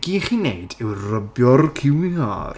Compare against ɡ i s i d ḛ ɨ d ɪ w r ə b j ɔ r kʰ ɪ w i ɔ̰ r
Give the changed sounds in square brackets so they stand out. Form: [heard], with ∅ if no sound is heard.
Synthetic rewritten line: ɡ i [χ] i [n] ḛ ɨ d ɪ w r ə b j ɔ r kʰ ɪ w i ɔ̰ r